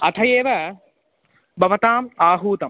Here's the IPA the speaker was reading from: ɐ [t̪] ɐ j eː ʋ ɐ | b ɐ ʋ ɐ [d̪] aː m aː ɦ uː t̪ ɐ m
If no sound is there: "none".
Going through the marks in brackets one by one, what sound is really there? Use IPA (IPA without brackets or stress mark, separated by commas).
t̪ʰ, t̪